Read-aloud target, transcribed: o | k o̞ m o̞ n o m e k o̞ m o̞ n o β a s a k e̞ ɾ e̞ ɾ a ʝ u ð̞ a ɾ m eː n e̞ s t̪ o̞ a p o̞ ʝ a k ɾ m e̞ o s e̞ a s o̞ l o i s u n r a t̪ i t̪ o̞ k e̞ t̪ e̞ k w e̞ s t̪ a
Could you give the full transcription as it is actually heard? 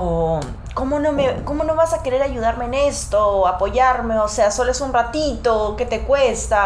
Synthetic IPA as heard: o | k o̞ m o̞ n o m e k o̞ m o̞ n o β a s a k e̞ ɾ e̞ ɾ a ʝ u ð̞ a ɾ m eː n e̞ s t̪ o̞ a p o̞ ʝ a ɾ m e̞ o s e̞ a s o̞ l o e s u n r a t̪ i t̪ o̞ k e̞ t̪ e̞ k w e̞ s t̪ a